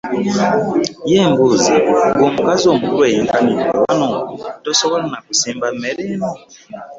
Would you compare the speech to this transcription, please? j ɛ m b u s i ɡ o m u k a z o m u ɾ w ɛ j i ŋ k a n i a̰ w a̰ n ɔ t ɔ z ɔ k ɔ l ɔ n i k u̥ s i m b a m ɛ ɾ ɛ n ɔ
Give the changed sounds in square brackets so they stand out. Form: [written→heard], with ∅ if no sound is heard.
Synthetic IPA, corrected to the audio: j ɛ m b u [s→z] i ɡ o m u k a z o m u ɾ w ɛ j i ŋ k a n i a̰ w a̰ n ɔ t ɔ [z→s] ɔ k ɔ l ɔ n [i→a] k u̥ s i m b a m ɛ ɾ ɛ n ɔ

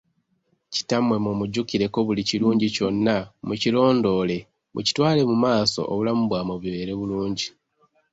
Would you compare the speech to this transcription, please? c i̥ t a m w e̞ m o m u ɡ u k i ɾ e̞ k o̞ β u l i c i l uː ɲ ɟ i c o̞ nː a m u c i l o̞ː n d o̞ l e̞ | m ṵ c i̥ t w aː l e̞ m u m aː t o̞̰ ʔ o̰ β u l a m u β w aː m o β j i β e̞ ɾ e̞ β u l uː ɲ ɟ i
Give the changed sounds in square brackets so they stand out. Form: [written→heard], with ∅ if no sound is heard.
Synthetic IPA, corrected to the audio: c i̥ t a m w e̞ m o m u [ɡ→ɟ] u k i ɾ e̞ k o̞ β u l i c i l uː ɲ ɟ i c o̞ nː a m u c i l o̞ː n d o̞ l e̞ | m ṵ c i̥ t w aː l e̞ m u m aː [t→s] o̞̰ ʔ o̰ β u l a m u β w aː m o β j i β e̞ ɾ e̞ β u l uː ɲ ɟ i

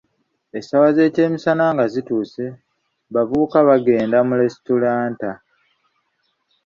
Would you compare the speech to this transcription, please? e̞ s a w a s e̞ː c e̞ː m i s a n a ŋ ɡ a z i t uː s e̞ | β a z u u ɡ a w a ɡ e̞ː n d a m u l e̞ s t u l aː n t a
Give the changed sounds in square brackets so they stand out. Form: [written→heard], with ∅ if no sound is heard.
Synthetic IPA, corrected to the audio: e̞ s a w a [s→z] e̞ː c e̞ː m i s a n a ŋ ɡ a z i t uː s e̞ | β a [z→v] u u [ɡ→k] a [w→β] a ɡ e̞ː n d a m u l e̞ s t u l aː n t a

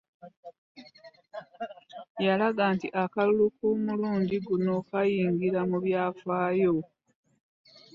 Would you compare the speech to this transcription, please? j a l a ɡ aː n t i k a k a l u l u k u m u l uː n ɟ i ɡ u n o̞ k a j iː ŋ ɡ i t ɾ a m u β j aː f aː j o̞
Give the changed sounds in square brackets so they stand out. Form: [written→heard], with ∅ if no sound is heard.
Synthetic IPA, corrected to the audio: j a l a ɡ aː n t i [k→ʔ] a k a l u l u k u m u l uː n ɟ i ɡ u n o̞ k a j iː ŋ ɡ i [t→∅] ɾ a m u β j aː f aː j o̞

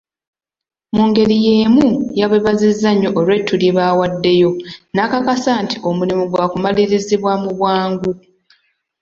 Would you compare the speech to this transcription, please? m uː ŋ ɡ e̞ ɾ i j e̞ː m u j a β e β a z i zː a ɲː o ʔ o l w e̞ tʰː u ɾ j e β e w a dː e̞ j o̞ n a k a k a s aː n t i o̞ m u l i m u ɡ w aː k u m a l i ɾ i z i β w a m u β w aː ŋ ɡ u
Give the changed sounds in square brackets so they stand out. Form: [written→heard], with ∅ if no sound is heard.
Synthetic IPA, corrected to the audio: m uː ŋ ɡ e̞ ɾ i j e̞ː m u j a β e β a z i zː a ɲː o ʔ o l w e̞ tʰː u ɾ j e β [e→a] w a dː e̞ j o̞ n a k a k a s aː n t i o̞ m u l i m u ɡ w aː k u m a l i ɾ i z i β w a m u β w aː ŋ ɡ u

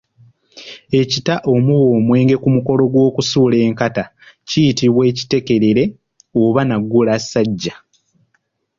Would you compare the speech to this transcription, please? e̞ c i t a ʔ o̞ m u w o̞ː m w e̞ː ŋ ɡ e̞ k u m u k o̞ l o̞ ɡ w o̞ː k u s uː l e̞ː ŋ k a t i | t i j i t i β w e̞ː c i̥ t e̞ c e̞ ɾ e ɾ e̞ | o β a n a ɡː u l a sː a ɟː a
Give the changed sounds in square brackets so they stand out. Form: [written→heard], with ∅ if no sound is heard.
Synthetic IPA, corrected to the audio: e̞ c i t a ʔ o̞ m u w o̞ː m w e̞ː ŋ ɡ e̞ k u m u k o̞ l o̞ ɡ w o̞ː k u s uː l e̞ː ŋ k a t [i→a] | [t→c] i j i t i β w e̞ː c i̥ t e̞ [c→k] e̞ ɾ e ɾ e̞ | o β a n a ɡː u l a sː a ɟː a

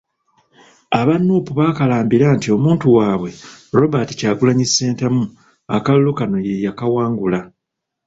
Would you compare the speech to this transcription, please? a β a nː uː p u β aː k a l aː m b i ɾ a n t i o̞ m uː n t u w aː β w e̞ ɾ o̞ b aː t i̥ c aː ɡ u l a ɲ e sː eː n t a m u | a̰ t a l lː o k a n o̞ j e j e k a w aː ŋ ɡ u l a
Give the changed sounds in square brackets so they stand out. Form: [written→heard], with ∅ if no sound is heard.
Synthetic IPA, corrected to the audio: a β a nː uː p u β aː k a l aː m b i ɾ a n t i o̞ m uː n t u w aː β w e̞ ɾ o̞ b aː t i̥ c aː ɡ u l a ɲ [e→i] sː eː n t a m u | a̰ [t→k] a l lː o k a n o̞ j e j [e→a] k a w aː ŋ ɡ u l a

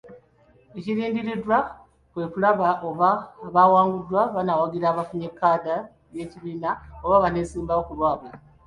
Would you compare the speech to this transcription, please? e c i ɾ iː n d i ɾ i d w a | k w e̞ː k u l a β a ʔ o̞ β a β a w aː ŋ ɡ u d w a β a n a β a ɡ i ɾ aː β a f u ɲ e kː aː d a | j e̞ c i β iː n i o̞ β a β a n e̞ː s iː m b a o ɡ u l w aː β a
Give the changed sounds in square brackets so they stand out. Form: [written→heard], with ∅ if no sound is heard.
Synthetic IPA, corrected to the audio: e c i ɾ iː n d i ɾ i d w a | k w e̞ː k u l a β a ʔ o̞ β a β a w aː ŋ ɡ u d w a β a n a [β→w] a ɡ i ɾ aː β a f u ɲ e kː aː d a | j e̞ c i β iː n [i→a] o̞ β a β a n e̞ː s iː m b a o [ɡ→k] u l w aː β a

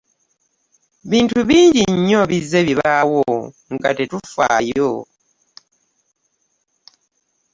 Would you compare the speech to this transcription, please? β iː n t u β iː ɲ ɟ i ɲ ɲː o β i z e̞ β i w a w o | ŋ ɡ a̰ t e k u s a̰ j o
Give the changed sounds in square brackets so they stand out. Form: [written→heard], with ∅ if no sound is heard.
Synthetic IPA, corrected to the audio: β iː n t u β iː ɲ ɟ i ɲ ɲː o β i z e̞ β i [w→β] a w o | ŋ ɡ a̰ t e [k→t] u [s→f] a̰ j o

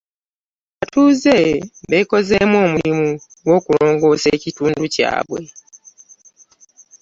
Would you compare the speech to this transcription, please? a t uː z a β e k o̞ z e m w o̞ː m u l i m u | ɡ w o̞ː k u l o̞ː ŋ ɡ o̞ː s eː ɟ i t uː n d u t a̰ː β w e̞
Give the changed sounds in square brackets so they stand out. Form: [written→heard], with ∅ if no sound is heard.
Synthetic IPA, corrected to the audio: a t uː z [a→e] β e k o̞ z e m w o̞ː m u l i m u | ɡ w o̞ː k u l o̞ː ŋ ɡ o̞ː s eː [ɟ→c] i t uː n d u [t→c] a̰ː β w e̞

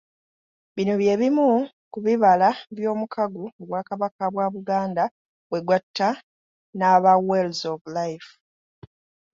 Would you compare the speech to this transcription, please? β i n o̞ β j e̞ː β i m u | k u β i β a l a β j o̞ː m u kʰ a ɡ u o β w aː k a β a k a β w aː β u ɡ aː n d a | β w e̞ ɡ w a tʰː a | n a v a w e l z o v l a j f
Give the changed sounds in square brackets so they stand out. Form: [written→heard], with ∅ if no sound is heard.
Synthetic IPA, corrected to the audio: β i n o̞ β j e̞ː β i m u | k u β i β a l a β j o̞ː m u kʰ a ɡ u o β w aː k a β a k a β w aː β u ɡ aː n d a | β w e̞ ɡ w a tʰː a | n a [v→β] a w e l z o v l a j f

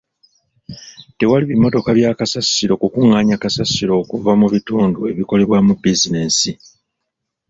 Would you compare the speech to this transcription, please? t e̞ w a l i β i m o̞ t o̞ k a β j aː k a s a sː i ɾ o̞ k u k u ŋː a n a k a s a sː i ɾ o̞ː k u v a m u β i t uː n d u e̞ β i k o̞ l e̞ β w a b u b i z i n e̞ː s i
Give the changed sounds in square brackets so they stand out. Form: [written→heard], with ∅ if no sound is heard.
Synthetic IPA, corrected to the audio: t e̞ w a l i β i m o̞ t o̞ k a β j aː k a s a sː i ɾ o̞ k u k u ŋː a [n→ɲ] a k a s a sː i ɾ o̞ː k u v a m u β i t uː n d u e̞ β i k o̞ l e̞ β w a [b→m] u b i z i n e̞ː s i

